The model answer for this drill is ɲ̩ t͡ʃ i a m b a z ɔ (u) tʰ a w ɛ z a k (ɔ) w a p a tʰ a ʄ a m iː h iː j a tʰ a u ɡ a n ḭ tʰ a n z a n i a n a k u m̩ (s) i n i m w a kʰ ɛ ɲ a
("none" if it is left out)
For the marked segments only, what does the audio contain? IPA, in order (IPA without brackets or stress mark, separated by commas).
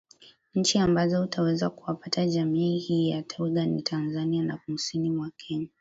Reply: u, u, s